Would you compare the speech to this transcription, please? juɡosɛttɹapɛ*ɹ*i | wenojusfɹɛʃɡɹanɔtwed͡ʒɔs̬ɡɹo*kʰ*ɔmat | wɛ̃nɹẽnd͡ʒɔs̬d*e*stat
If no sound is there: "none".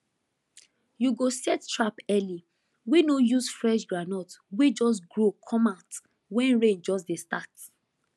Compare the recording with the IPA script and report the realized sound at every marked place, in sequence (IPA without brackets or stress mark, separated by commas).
l, kʰ, e